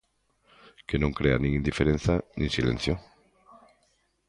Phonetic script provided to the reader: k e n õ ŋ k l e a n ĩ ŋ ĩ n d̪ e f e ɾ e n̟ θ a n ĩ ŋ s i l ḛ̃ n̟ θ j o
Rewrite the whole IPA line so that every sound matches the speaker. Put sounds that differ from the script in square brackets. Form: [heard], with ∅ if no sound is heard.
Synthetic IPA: k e n õ ŋ k [ɾ] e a n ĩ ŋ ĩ n d̪ [i] f e ɾ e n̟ θ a n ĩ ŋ s i l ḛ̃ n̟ θ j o

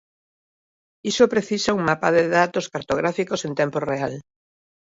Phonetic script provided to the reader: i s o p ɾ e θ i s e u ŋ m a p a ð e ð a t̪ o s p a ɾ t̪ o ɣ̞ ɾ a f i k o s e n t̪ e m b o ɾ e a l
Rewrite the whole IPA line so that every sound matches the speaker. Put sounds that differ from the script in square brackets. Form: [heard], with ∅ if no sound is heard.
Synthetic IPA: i s o p ɾ e θ i s [a] u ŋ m a p a ð e ð a t̪ o s [k] a ɾ t̪ o ɣ̞ ɾ a f i k o s e n t̪ e m [p] o [r] e a l

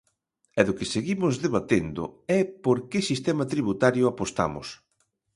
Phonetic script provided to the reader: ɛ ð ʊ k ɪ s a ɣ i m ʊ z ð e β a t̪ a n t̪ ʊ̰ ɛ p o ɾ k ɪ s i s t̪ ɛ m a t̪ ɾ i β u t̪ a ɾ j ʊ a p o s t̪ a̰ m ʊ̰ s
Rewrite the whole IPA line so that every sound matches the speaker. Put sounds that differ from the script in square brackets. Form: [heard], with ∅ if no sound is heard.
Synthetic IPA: ɛ ð ʊ k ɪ s [e] ɣ i m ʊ z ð e β a t̪ [e] n [d̪] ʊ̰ ɛ p o ɾ k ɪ s i s t̪ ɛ m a t̪ ɾ i β u t̪ a ɾ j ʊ a p o s t̪ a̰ m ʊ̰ s

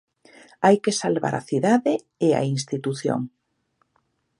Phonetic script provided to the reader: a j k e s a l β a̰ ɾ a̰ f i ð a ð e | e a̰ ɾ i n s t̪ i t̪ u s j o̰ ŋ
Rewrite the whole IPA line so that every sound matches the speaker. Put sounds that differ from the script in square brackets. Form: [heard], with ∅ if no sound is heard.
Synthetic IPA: a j k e s a l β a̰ ɾ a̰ [θ] i ð a ð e | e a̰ [∅] i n s t̪ i t̪ u [θ] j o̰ ŋ

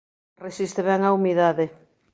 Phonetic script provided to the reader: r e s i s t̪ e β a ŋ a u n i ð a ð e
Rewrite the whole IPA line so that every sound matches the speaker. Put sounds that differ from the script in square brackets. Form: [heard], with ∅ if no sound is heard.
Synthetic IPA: r e s i s t̪ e β [ɛ] ŋ a u [m] i ð a ð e

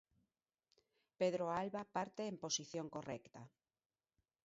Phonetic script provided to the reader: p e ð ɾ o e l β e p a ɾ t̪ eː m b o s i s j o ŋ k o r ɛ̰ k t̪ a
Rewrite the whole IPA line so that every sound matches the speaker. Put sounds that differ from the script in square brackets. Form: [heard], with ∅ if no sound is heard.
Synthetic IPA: p e ð ɾ o [a] l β [a] p a ɾ t̪ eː m [p] o s i [θ] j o ŋ k o r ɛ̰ k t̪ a

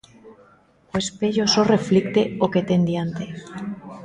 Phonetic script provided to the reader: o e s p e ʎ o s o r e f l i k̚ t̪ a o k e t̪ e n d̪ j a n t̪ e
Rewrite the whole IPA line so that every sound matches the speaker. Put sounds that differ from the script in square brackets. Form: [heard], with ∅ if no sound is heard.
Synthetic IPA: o e s p e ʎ o s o r e f l i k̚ t̪ [e] o k e t̪ e n d̪ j a n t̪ e

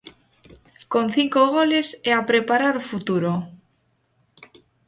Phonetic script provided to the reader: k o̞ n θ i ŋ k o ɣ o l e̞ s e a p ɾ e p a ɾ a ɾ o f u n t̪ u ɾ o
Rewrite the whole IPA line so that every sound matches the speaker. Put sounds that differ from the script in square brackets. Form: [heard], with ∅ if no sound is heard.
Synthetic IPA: k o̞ n θ i ŋ k o ɣ o l e̞ s e a p ɾ e p a ɾ a ɾ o f u [∅] t̪ u ɾ o

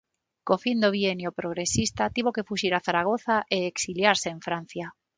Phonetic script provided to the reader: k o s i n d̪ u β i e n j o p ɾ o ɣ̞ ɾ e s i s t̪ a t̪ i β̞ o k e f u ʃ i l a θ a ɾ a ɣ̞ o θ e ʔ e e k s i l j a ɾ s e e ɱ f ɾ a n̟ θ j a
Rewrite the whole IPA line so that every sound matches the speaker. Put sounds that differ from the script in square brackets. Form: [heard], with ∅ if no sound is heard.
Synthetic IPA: k o [f] i n d̪ [o] β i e n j o p ɾ o ɣ̞ ɾ e s i s t̪ a t̪ i β̞ o k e f u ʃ i [ɾ] a θ a ɾ a ɣ̞ o θ [a] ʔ e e k s i l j a ɾ s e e ɱ f ɾ a n̟ θ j a

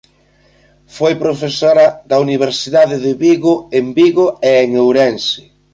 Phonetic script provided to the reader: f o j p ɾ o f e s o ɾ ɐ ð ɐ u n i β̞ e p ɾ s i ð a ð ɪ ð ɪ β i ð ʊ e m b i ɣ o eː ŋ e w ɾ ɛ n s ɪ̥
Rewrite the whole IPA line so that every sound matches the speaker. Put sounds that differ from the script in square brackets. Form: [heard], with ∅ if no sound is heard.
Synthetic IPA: f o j p ɾ o f e s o ɾ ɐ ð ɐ u n i β̞ e [∅] ɾ s i ð a ð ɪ ð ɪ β i [ɣ] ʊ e m b i ɣ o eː ŋ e w ɾ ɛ n s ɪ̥

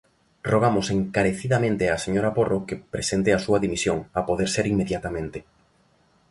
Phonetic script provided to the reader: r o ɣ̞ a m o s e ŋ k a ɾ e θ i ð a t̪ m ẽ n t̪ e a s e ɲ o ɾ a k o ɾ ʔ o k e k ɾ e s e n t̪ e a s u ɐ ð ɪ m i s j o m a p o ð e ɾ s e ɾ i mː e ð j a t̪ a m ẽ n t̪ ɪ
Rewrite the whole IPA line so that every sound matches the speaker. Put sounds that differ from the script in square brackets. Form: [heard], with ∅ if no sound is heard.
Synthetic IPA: r o ɣ̞ a m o s e ŋ k a ɾ e θ i ð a [∅] m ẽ n t̪ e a s e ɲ o ɾ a [p] o [r] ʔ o k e [p] ɾ e s e n t̪ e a s u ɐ ð [i] m i s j o [ŋ] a p o ð e ɾ s e ɾ i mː e ð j a t̪ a m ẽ n t̪ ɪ

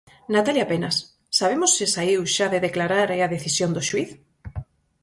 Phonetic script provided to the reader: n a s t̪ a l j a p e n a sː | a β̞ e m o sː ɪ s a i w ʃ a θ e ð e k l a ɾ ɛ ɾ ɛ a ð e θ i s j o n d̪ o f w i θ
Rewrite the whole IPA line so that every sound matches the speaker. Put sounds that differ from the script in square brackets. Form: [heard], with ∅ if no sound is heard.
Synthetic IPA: n a [∅] t̪ a l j a p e n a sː | a β̞ e m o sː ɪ s a i w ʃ a [ð] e ð e k l a ɾ [a] ɾ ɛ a ð e θ i s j o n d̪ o [ʃ] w i θ

